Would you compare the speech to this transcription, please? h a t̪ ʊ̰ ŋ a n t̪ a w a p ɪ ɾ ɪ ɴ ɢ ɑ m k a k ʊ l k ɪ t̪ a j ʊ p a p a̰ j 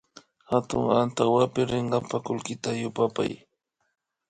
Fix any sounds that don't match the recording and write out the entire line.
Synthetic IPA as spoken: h a t̪ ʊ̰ ŋ a n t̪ a w a p ɪ ɾ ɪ ɴ ɢ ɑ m p a k ʊ l k ɪ t̪ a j ʊ p a p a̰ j